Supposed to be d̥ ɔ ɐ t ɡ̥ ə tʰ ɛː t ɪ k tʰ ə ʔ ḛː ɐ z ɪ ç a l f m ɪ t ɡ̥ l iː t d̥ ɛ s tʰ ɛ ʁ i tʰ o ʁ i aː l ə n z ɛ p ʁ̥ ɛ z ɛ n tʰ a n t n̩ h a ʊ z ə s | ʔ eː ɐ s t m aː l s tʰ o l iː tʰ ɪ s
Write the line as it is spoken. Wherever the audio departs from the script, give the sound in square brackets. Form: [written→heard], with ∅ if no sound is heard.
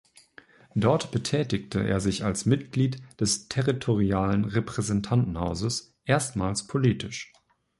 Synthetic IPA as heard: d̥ ɔ ɐ t [ɡ̥→b̥] ə tʰ ɛː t ɪ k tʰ ə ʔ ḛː ɐ z ɪ ç a l [f→s] m ɪ t ɡ̥ l iː t d̥ ɛ s tʰ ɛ ʁ i tʰ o ʁ i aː l ə n [z→ʁ] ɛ p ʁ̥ ɛ z ɛ n tʰ a n t n̩ h a ʊ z ə s | ʔ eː ɐ s t m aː l s [tʰ→pʰ] o l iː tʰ ɪ [s→ʃ]